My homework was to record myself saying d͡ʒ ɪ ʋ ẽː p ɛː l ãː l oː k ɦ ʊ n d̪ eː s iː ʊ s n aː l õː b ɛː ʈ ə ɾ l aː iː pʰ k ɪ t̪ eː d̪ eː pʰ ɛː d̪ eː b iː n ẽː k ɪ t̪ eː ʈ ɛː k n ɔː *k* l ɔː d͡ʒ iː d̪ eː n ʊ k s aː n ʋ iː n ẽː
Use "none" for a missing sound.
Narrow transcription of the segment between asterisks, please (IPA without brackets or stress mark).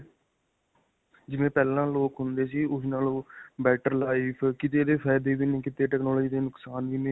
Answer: none